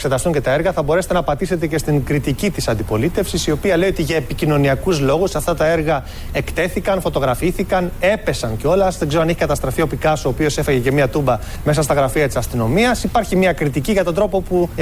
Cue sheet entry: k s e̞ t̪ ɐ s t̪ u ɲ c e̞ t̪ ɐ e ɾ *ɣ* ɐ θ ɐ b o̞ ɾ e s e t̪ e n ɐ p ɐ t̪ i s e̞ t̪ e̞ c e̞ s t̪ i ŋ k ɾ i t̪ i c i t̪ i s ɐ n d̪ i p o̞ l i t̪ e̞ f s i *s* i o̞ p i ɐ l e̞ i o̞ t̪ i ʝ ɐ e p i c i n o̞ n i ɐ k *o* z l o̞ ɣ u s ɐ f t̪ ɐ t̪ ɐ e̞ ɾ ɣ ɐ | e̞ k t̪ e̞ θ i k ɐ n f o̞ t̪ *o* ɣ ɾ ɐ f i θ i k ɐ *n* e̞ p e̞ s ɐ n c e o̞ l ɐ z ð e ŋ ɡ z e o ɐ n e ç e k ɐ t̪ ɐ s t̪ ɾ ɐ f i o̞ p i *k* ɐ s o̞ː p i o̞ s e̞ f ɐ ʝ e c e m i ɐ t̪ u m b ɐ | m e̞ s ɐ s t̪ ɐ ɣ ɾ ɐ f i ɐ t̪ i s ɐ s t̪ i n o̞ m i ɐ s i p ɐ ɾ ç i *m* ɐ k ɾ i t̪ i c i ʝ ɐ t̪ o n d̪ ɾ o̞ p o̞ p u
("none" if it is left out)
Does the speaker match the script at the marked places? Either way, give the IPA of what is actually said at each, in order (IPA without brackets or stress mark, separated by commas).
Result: ɣ, s, u, o, n, k, m